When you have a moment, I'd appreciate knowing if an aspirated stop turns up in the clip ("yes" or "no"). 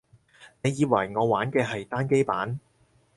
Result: no